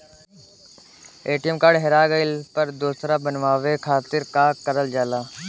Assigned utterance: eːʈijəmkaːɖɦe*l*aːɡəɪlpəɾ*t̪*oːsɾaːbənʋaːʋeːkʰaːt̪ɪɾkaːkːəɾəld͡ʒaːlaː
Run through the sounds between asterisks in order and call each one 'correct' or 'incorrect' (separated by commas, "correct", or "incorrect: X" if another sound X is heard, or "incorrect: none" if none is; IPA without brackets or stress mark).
incorrect: ɾ, incorrect: d̪